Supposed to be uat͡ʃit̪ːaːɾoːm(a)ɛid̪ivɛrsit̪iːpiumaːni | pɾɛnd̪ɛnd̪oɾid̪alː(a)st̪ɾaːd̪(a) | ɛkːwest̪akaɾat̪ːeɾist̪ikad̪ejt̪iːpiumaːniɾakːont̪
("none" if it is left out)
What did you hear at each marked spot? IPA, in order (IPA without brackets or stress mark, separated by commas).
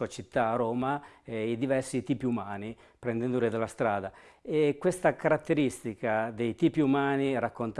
a, a, a